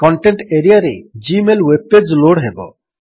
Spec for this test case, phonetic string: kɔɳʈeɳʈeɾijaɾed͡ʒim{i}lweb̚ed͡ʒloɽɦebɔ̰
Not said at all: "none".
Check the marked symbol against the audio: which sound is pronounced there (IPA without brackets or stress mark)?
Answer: e